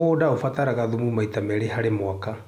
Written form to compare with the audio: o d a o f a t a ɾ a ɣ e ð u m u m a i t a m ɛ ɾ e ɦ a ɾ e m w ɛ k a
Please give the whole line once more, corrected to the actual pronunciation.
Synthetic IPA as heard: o d a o f a t a ɾ a ɣ a ð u m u m a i t a m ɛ ɾ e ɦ a ɾ e m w a k a